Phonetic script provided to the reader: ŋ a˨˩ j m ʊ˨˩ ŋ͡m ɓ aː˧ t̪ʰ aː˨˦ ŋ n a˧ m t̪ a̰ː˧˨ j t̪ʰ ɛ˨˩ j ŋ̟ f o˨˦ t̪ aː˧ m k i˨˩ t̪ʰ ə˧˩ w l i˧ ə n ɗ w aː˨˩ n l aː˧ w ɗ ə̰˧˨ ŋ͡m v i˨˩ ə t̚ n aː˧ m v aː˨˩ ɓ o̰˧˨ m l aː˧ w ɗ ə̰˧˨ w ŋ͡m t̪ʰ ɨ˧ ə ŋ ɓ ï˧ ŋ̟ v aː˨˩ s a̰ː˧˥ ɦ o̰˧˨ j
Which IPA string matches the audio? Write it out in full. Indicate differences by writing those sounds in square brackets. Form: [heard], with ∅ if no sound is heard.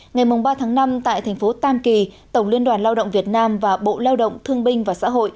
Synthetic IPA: ŋ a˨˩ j m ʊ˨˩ ŋ͡m ɓ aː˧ t̪ʰ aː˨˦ ŋ n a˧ m t̪ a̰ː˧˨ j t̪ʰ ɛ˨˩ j ŋ̟ f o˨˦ t̪ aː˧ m k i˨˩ [t̪] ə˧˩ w l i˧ ə n ɗ w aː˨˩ n l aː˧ w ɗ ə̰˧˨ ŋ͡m v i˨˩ ə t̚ n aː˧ m v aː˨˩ ɓ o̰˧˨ [∅] l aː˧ w ɗ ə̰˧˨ w ŋ͡m t̪ʰ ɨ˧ ə ŋ ɓ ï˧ ŋ̟ v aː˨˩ s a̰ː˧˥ ɦ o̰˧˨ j